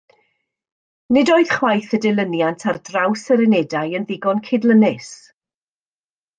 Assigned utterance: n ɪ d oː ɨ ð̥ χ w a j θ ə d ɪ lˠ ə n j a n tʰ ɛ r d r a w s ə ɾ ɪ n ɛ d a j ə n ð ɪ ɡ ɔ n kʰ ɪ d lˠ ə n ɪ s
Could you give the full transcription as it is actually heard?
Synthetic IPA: n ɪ d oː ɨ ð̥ χ w a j θ ə d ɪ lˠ ə n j a n tʰ a r d r a w s ə ɾ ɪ n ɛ d a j ə n ð ɪ ɡ ɔ n kʰ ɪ d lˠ ə n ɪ s